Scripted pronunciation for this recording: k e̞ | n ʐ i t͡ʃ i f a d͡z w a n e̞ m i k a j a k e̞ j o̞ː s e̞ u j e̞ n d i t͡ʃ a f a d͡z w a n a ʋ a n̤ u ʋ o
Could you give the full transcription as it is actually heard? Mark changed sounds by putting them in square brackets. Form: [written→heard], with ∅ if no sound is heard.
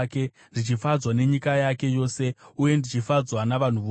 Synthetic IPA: k e̞ | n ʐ i t͡ʃ i f a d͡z w a n e̞ [m→ɲ] i k a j a k e̞ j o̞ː s e̞ u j e̞ n d i t͡ʃ [a→i] f a d͡z w a n a ʋ a n̤ u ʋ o